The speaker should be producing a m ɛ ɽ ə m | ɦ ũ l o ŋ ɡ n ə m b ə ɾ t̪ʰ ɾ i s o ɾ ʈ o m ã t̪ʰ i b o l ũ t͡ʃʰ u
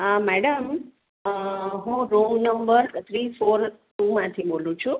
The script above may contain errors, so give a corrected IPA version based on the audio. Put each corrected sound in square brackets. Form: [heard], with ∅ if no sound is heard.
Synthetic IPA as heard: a m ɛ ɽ ə m | ɦ ũ [ɾ] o ŋ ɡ n ə m b ə ɾ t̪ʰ ɾ i [f] o ɾ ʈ [u] m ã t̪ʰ i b o l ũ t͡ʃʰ u